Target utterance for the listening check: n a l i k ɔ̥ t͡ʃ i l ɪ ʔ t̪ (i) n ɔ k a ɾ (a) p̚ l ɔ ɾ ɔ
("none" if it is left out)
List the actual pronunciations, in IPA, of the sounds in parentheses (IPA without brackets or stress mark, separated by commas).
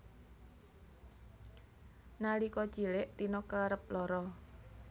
i, ə